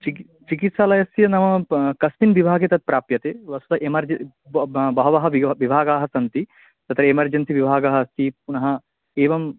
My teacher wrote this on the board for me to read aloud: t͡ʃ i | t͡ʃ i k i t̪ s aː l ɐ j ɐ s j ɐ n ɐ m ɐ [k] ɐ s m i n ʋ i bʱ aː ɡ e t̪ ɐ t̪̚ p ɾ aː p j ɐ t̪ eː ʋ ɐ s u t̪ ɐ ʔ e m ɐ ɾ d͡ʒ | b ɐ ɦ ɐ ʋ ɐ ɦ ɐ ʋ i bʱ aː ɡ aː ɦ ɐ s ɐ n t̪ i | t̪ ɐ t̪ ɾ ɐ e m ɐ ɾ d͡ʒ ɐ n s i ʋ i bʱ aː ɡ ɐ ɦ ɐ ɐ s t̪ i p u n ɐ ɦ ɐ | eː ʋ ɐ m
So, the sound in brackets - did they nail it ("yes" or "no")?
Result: yes